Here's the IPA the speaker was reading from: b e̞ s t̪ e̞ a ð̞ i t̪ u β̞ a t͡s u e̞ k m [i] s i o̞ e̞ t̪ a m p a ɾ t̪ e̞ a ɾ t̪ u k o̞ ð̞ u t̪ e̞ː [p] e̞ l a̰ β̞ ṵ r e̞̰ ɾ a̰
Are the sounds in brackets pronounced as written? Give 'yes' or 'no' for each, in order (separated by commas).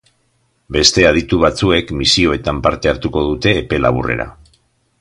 yes, yes